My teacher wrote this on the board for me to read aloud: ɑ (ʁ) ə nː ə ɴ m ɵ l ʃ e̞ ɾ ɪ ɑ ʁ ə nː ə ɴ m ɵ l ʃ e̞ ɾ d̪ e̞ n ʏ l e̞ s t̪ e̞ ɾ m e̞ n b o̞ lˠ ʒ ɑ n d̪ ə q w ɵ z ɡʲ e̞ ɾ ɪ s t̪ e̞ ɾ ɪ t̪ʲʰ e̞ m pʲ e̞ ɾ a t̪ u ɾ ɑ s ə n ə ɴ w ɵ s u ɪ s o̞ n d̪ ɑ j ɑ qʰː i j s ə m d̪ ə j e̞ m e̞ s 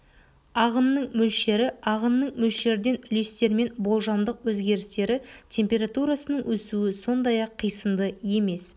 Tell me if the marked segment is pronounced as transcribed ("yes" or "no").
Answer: yes